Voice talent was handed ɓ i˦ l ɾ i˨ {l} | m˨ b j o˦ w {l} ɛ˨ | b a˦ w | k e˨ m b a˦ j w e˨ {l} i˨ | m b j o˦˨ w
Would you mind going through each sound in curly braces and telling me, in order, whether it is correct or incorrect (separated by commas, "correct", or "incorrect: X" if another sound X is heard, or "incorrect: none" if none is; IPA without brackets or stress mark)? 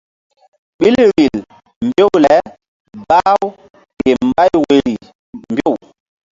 correct, correct, incorrect: ɾ